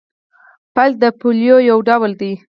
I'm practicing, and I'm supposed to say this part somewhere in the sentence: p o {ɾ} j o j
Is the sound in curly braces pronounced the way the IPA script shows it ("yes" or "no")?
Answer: no